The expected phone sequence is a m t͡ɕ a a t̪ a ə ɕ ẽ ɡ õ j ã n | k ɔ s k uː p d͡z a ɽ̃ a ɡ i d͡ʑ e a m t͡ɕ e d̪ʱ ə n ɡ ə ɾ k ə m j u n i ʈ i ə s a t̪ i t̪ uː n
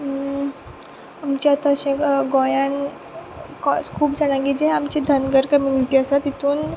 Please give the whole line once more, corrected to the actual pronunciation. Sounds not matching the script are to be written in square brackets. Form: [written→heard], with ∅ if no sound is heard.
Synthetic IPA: a m t͡ɕ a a t̪ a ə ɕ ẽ ɡ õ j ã n | k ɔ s [k→kʰ] uː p d͡z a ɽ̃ a ɡ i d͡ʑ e a m t͡ɕ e d̪ʱ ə n ɡ ə ɾ k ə m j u n i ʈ i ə s a t̪ i t̪ uː n